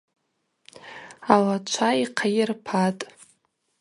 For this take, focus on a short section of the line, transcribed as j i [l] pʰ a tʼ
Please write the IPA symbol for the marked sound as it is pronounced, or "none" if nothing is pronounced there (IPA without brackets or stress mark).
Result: r